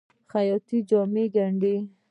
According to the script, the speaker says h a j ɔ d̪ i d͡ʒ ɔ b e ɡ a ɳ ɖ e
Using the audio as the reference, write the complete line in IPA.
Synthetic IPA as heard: x a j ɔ t̪ i d͡ʒ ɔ m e ɡ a ɳ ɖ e